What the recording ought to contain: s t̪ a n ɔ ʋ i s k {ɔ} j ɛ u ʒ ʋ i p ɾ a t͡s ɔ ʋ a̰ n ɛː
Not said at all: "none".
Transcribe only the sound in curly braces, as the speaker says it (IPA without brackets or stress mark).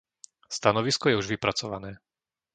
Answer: ɔ